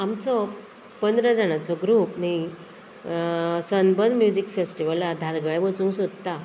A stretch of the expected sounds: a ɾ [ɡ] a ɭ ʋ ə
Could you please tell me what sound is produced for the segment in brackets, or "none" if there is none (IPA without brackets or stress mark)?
ɡ